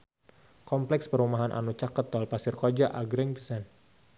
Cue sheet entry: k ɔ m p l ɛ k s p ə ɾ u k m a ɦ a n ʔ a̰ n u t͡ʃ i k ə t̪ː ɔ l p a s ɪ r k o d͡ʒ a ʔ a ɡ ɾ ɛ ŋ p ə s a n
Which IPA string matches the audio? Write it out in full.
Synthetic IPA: k ɔ m p l ɛ k s p ə ɾ u m a ɦ a n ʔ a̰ n u t͡ʃ a k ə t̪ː ɔ l p a s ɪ r k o d͡ʒ a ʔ a ɡ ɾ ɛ ŋ p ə s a n